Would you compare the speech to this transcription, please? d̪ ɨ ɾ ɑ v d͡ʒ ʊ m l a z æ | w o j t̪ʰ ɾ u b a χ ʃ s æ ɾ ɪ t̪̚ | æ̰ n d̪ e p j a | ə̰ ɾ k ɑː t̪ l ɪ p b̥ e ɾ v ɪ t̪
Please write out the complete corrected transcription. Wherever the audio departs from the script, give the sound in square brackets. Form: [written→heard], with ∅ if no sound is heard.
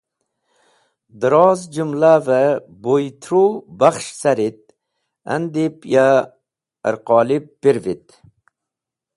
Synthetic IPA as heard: d̪ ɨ ɾ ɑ [v→z] d͡ʒ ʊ m l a [z→v] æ | [w→b] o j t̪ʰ ɾ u b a χ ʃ s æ ɾ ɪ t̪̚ | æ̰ n d̪ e p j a | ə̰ ɾ [k→q] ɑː [t̪→∅] l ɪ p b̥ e ɾ v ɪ t̪